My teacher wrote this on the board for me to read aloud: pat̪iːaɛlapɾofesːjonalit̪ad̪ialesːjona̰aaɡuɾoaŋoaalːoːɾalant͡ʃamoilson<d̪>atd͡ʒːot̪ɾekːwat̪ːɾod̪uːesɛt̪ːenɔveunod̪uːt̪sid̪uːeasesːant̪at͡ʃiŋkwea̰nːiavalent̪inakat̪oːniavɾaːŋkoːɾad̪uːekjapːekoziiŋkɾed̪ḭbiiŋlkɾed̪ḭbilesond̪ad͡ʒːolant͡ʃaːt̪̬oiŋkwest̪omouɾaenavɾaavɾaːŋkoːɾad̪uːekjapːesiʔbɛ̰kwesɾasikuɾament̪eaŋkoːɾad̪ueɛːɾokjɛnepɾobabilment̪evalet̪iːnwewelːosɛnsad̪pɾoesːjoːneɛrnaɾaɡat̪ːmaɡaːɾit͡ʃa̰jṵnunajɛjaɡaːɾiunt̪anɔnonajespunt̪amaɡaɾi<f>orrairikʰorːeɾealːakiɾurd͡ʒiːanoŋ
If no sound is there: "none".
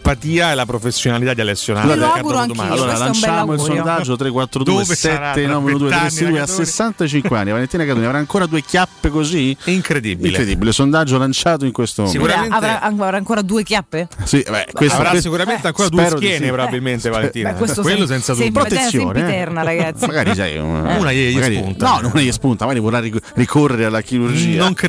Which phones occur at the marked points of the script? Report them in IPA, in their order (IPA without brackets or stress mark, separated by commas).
d̪, v